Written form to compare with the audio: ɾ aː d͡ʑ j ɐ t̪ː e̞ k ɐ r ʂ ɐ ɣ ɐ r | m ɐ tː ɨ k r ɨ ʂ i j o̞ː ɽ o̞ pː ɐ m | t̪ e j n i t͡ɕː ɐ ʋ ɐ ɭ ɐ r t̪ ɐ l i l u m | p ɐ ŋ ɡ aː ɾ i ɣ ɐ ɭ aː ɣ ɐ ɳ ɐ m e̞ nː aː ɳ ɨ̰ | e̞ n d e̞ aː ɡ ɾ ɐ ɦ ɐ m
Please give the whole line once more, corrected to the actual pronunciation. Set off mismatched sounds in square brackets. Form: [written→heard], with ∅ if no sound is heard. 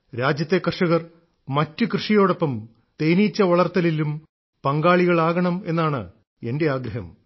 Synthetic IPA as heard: ɾ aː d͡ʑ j ɐ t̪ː e̞ k ɐ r ʂ ɐ ɣ ɐ r | m ɐ tː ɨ k r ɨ ʂ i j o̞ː ɽ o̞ pː ɐ m | t̪ e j n i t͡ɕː ɐ ʋ ɐ ɭ ɐ r t̪ ɐ l i l u m | p ɐ ŋ ɡ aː [ɾ→ɭ] i ɣ ɐ ɭ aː ɣ ɐ ɳ ɐ m e̞ nː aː ɳ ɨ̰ | e̞ n d e̞ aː ɡ ɾ ɐ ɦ ɐ m